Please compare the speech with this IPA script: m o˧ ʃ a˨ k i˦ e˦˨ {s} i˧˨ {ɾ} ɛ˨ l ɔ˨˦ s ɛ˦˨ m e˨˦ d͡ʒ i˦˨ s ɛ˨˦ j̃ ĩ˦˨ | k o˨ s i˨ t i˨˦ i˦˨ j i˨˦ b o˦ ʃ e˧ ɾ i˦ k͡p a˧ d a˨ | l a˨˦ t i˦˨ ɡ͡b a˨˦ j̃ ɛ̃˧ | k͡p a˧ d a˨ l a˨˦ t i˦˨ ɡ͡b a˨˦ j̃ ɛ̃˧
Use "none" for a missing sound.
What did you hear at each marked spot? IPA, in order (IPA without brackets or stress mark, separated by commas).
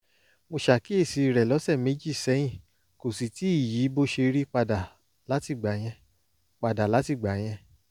s, ɾ